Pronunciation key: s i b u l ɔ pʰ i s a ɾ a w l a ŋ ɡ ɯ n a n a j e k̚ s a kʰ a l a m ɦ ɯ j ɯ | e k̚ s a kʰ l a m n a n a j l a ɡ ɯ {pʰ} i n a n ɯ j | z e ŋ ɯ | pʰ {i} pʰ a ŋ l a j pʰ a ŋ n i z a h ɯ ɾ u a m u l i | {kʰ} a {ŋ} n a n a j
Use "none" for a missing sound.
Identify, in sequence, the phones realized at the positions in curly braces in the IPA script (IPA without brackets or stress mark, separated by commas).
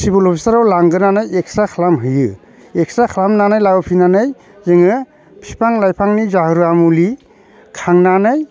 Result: pʰ, i, kʰ, ŋ